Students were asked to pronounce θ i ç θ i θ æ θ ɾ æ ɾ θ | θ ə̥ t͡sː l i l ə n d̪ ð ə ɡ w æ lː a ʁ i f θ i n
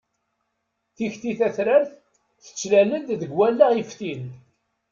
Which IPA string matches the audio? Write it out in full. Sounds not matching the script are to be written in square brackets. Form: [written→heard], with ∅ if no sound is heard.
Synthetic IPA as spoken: θ i ç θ i θ æ θ ɾ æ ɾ θ | θ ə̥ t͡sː l [i→æ] l ə n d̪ ð ə ɡ w æ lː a ʁ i f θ i n